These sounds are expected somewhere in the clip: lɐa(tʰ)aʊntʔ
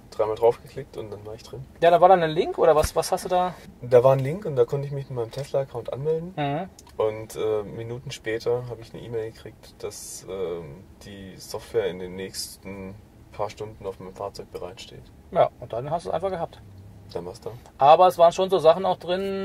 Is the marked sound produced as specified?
no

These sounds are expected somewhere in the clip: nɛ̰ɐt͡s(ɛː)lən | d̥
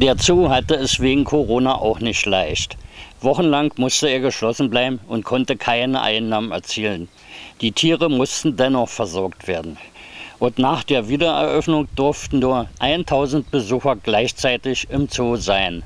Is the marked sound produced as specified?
no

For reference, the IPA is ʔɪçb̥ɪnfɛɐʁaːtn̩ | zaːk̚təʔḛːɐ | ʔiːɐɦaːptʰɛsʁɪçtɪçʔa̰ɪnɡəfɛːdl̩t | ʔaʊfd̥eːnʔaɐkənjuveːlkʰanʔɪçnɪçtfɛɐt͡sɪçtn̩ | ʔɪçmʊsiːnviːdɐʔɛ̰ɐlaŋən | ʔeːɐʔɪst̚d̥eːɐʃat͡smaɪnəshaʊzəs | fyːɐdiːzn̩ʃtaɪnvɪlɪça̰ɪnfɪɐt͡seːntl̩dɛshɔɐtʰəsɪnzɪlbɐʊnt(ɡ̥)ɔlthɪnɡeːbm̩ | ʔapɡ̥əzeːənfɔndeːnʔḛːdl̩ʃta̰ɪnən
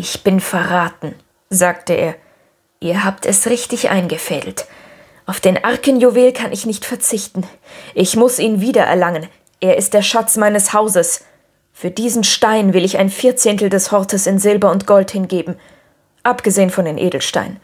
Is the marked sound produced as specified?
yes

